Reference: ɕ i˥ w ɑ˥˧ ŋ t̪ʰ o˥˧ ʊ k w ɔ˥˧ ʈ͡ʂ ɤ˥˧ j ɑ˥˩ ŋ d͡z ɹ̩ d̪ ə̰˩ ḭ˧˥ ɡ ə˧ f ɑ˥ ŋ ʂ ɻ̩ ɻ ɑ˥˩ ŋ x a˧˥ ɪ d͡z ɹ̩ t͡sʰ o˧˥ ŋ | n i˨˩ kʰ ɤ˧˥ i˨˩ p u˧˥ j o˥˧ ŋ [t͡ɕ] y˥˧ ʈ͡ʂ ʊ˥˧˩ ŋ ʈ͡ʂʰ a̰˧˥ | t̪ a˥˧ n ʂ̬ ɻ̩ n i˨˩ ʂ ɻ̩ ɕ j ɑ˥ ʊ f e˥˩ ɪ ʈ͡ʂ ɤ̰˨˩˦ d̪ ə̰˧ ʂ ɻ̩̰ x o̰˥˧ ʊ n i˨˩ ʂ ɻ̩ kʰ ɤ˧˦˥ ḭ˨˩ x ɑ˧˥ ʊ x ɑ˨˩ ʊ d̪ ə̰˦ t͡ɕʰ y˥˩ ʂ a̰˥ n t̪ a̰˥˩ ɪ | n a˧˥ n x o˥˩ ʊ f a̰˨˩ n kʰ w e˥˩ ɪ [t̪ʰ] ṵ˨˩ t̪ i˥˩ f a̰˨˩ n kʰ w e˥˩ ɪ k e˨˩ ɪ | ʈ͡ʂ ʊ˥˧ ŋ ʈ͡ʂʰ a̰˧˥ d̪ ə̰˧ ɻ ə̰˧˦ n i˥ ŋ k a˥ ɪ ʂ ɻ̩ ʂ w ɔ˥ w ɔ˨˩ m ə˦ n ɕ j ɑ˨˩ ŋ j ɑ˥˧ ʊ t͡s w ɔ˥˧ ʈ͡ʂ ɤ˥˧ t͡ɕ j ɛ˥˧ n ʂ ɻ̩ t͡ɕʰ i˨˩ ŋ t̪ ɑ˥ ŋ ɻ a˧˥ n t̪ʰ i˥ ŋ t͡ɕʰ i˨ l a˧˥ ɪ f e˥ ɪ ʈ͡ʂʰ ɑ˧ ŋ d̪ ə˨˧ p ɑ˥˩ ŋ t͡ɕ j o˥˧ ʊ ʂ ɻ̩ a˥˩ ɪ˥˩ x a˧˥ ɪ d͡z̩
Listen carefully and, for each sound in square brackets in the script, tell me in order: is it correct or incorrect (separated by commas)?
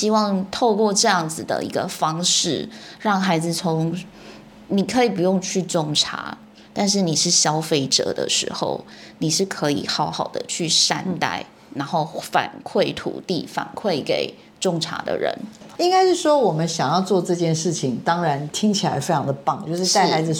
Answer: incorrect, correct